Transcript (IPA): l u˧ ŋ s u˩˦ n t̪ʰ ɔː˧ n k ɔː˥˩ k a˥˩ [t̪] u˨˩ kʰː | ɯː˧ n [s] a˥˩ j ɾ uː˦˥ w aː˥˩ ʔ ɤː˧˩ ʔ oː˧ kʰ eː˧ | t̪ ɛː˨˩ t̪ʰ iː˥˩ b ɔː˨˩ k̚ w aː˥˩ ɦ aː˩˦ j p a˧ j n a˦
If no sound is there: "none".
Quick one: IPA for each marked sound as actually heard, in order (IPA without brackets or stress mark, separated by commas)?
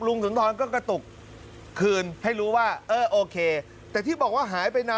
t̪, h